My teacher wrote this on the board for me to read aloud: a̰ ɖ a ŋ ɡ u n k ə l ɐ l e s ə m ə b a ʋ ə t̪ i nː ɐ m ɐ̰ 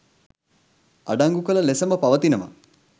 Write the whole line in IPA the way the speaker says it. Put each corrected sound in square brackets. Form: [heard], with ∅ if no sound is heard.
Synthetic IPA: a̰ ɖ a ŋ ɡ u [∅] k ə l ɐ l e s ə m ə [p] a ʋ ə t̪ i [n] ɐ m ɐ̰